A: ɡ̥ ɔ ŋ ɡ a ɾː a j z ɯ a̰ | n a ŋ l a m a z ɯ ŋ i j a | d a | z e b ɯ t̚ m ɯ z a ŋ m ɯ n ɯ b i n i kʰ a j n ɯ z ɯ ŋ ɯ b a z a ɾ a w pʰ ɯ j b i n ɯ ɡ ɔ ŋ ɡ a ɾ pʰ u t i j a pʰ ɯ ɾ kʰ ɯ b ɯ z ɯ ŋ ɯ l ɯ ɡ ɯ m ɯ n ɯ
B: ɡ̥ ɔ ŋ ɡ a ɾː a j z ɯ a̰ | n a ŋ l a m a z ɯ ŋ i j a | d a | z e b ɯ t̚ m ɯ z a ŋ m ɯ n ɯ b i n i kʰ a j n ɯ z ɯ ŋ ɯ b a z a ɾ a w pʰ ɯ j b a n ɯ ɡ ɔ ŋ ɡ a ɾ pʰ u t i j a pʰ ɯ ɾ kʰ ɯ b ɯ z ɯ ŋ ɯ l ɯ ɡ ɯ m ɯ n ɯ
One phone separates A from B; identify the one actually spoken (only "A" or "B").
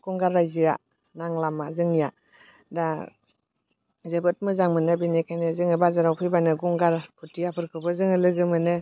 B